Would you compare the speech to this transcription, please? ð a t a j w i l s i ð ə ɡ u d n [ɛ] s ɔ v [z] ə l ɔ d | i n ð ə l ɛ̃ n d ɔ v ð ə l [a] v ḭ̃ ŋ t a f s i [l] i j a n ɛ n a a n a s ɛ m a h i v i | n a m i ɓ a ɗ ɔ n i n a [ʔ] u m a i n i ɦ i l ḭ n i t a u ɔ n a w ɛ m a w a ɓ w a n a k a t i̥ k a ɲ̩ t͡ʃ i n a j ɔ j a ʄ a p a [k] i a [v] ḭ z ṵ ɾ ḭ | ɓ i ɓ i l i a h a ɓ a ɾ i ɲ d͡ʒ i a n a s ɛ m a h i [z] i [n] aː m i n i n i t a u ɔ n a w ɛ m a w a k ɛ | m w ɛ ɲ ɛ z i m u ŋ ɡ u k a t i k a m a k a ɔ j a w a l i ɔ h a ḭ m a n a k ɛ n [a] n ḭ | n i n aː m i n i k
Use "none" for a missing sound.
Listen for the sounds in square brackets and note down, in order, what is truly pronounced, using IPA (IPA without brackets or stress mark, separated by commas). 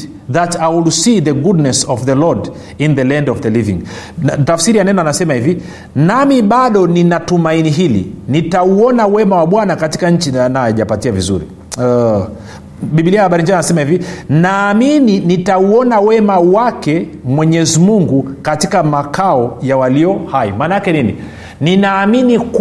ɛ, ð, i, ɾ, t, t, v, v, n, i